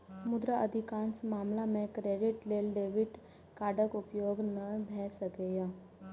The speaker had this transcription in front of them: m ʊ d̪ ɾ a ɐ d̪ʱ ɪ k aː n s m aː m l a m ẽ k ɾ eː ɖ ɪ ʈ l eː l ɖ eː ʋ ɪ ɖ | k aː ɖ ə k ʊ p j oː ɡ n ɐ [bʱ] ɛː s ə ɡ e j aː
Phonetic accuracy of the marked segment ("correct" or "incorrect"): correct